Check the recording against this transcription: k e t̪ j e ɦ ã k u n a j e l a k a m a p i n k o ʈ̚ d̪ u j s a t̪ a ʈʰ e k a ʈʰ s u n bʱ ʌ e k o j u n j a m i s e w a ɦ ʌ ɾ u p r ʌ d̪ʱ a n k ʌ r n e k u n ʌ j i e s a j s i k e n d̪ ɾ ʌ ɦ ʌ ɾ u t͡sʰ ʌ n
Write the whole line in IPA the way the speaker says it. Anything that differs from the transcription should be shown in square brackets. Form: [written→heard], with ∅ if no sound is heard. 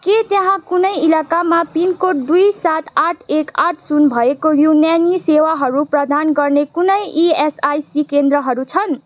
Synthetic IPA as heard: k e t̪ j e ɦ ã k u n [a→ʌ] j [e→i] l a k a m a p i n k o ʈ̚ d̪ u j s a t̪ a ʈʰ e k a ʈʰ s u n bʱ ʌ e k o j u n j a [m→n] i s e w a ɦ ʌ ɾ u p r ʌ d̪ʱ a n [k→ɡ] ʌ r n e k u n ʌ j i e s a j s i k e n d̪ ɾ ʌ ɦ ʌ ɾ u t͡sʰ ʌ n